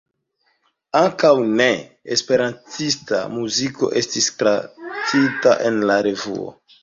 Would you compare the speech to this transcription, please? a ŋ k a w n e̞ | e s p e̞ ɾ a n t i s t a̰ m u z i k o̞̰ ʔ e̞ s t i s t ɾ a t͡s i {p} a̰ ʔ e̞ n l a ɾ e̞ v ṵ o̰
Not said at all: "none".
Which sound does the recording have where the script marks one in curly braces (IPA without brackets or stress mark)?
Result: t